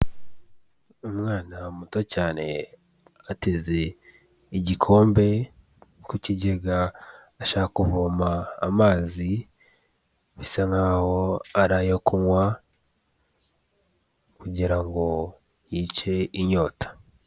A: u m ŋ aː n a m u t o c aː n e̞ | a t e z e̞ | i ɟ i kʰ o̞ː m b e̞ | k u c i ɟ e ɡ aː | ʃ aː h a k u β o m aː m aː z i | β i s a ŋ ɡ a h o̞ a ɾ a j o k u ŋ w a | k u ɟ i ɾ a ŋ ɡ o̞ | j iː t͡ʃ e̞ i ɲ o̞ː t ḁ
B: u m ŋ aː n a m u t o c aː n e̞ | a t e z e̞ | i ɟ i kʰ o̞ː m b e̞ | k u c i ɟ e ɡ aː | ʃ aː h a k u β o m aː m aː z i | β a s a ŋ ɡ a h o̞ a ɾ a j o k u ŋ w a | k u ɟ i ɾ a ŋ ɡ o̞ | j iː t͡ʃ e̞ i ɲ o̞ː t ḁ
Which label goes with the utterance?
A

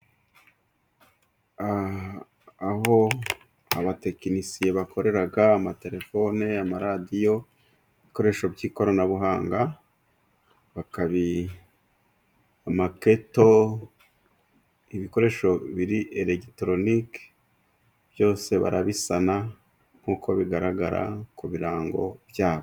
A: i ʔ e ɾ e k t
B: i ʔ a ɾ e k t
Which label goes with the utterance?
A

